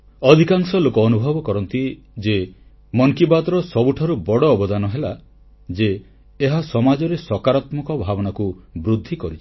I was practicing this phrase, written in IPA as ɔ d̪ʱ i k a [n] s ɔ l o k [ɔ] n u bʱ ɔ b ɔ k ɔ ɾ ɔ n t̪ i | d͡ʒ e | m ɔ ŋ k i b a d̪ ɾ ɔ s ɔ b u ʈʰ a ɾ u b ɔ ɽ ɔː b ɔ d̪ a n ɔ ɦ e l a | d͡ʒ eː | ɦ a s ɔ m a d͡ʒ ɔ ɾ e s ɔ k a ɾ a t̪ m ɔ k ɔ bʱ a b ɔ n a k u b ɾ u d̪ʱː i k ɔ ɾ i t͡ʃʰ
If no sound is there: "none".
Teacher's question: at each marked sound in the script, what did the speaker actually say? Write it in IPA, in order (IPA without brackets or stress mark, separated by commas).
ŋ, ɔː